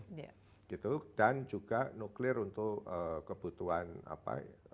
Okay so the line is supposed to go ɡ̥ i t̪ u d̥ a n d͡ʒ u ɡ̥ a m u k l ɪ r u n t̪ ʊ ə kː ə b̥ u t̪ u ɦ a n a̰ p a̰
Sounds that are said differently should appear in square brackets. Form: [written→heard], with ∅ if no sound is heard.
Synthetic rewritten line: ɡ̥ i t̪ u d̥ a n d͡ʒ u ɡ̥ a [m→n] u k l ɪ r u n t̪ ʊ ə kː ə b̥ u t̪ u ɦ a n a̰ p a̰